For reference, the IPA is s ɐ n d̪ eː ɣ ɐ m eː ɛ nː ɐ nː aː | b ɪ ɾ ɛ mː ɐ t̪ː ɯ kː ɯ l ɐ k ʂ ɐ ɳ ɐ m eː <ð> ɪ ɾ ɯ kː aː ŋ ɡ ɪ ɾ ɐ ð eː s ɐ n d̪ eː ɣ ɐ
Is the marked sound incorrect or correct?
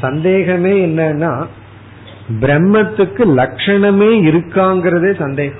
incorrect